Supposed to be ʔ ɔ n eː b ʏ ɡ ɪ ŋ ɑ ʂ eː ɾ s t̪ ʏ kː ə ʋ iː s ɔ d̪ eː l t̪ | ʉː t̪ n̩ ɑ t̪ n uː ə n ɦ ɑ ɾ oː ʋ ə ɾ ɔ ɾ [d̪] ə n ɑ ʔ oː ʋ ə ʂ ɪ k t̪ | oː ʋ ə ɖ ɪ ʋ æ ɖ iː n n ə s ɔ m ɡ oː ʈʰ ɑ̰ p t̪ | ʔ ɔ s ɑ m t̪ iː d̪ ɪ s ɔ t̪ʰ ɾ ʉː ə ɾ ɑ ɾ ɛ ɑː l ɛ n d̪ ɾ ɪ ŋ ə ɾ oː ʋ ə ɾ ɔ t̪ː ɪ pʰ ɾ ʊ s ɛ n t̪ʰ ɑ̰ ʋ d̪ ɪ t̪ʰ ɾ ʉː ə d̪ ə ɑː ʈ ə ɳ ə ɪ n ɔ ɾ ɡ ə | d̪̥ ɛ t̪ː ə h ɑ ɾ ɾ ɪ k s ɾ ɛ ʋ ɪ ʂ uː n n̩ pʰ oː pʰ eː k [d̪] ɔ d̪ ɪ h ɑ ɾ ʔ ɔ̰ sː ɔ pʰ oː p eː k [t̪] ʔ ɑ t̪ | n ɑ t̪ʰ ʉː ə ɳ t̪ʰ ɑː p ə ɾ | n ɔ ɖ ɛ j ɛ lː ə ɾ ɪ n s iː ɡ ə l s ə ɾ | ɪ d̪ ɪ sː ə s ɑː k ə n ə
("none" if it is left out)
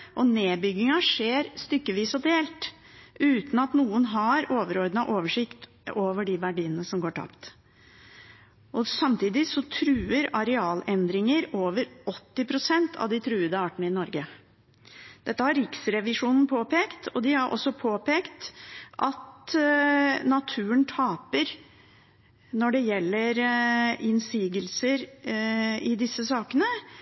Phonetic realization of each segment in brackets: d̪, t̪, t̪

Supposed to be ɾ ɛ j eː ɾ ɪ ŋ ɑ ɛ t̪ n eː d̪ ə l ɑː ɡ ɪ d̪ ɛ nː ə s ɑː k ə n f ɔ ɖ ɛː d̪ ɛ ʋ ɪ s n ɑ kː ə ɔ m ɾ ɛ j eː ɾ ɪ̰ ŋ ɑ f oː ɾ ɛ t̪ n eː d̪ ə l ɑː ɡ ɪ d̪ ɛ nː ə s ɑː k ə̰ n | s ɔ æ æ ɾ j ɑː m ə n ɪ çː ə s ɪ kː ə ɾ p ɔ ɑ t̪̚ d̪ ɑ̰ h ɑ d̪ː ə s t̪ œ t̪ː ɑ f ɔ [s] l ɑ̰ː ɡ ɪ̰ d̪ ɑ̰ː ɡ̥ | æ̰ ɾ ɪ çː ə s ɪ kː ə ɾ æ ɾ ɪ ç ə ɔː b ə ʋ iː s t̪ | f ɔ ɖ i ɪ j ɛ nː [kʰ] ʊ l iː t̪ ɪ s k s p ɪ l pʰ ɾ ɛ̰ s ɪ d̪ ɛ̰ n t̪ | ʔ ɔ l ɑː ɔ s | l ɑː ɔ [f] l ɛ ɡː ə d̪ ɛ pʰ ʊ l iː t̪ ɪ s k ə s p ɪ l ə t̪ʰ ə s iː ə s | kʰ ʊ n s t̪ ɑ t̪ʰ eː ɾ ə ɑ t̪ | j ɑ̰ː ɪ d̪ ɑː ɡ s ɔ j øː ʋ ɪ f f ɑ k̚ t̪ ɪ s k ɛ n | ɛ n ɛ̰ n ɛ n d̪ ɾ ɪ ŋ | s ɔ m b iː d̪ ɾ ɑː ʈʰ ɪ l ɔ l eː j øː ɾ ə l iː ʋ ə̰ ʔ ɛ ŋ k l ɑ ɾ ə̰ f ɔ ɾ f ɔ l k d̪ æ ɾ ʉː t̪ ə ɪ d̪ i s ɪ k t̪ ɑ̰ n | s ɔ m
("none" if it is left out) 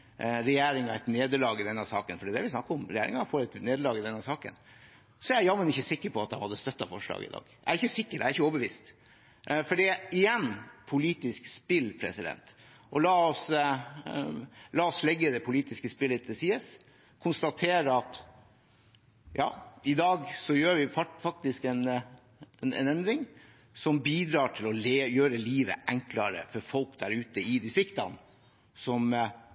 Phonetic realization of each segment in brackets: ʂ, pʰ, s

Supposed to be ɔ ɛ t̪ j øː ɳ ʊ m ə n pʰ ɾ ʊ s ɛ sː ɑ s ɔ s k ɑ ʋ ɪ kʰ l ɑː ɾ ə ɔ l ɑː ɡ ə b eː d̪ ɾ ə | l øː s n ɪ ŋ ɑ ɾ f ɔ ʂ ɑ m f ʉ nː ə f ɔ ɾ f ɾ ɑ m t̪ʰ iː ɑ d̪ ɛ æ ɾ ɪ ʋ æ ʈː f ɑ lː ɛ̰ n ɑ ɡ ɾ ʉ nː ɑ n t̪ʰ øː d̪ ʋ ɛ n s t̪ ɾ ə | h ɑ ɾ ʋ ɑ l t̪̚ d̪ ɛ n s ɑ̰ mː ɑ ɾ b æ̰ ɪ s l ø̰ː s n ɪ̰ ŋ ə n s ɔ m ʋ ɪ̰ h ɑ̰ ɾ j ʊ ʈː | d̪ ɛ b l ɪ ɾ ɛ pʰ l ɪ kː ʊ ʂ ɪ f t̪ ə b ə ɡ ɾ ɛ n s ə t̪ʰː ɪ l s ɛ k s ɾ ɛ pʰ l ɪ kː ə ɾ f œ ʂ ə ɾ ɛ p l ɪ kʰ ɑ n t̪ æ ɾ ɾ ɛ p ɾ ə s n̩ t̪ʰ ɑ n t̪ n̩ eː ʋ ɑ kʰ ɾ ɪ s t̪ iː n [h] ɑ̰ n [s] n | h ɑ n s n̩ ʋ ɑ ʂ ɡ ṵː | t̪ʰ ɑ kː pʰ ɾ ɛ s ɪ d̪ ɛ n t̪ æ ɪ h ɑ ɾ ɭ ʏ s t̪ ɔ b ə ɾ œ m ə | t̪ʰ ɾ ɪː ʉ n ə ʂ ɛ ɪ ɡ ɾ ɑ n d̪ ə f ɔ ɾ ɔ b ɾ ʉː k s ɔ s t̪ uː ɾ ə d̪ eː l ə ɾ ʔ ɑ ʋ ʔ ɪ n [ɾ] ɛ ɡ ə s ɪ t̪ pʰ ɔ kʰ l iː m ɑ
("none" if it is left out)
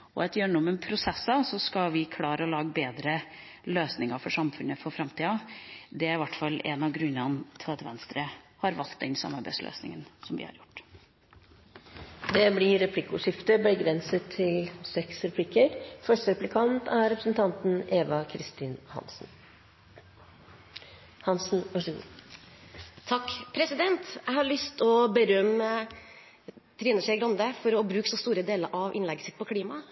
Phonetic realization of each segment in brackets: h, s, l

